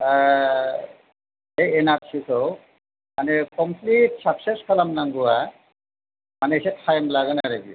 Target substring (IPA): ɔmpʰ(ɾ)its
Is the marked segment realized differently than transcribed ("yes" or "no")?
yes